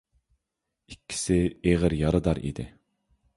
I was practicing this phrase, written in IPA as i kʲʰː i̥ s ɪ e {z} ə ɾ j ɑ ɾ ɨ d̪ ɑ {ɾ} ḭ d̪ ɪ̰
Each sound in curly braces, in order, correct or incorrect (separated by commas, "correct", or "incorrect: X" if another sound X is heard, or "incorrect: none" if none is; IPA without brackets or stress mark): incorrect: ʁ, correct